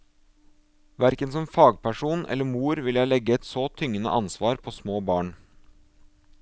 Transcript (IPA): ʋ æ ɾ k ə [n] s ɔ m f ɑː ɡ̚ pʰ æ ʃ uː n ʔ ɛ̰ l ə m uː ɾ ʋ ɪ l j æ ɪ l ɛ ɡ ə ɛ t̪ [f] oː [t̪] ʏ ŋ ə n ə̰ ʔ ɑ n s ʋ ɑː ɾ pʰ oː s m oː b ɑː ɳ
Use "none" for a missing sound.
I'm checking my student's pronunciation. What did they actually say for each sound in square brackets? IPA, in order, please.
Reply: n, s, t̪ʰ

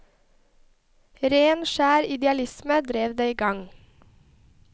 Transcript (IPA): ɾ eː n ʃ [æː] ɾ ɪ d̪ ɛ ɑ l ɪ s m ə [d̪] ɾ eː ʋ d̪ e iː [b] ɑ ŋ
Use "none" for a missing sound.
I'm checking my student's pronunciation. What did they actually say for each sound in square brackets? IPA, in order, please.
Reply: æː, d̪, ɡ

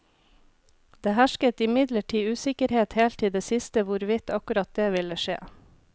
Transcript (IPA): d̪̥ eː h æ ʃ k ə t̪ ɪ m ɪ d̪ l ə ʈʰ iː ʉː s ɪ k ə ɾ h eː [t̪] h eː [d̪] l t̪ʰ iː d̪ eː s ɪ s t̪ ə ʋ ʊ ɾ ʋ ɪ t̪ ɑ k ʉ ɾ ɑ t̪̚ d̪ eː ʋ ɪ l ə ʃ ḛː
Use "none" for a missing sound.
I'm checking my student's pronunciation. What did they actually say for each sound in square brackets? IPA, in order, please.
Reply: t̪, none

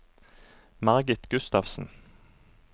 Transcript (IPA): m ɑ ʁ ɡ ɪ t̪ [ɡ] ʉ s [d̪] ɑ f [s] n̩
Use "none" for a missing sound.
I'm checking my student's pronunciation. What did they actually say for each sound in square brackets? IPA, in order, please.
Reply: ɡ, t̪, s

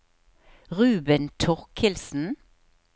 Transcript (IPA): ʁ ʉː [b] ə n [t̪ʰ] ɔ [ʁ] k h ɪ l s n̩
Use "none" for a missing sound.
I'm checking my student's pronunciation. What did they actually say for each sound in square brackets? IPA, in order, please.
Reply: b, t̪ʰ, ʁ

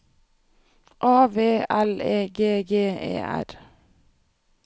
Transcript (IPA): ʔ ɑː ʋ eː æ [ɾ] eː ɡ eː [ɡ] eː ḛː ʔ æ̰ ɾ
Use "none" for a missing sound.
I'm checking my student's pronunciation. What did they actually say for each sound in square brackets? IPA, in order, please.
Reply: l, ɡ

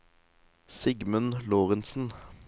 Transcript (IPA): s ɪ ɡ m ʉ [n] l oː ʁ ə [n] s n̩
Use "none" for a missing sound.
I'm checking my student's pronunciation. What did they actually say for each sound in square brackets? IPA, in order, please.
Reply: n, n

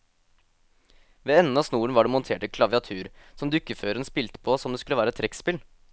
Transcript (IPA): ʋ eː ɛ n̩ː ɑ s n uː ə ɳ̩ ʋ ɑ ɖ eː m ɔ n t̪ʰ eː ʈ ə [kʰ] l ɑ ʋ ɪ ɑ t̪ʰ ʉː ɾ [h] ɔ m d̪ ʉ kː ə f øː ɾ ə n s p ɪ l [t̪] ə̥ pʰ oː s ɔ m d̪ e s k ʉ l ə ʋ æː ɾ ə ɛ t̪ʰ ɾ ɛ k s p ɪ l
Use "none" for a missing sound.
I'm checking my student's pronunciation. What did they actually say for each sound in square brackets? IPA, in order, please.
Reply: kʰ, s, t̪

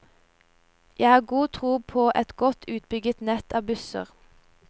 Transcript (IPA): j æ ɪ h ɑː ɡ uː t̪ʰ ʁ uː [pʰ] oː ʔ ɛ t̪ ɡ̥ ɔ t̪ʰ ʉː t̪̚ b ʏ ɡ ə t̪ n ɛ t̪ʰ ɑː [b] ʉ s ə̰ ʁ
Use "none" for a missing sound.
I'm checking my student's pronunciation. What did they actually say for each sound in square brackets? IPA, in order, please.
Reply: pʰ, b

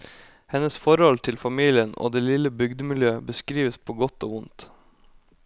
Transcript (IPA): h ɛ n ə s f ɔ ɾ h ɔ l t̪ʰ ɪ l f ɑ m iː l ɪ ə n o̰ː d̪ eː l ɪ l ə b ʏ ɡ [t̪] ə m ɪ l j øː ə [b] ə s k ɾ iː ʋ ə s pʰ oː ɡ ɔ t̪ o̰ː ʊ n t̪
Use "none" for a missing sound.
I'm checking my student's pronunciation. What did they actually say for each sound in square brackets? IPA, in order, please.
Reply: d̪, b

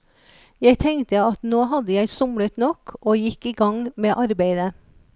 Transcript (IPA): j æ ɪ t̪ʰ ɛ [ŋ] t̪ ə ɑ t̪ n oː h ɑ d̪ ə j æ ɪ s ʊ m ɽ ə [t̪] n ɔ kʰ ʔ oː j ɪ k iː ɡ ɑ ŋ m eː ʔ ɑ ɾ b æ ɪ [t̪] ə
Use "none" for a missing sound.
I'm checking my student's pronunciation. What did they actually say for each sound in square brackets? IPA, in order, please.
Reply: ŋ, t̪, d̪

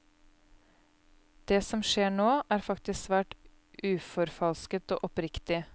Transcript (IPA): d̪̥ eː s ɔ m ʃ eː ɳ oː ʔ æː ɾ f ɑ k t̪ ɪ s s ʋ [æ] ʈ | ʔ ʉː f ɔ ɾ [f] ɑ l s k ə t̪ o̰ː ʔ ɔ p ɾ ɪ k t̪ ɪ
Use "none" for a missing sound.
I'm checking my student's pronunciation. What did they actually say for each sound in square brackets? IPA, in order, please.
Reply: æː, f

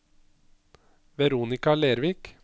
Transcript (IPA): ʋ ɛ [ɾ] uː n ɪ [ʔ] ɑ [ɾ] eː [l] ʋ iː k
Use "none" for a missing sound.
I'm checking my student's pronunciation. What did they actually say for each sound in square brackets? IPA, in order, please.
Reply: ɾ, k, l, ɾ

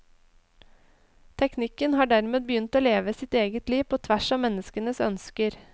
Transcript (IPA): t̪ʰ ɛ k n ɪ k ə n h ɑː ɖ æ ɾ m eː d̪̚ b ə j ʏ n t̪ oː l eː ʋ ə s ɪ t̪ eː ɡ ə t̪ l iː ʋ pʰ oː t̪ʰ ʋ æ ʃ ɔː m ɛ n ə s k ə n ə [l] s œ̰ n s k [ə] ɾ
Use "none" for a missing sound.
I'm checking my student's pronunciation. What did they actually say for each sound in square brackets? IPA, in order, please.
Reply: none, ə

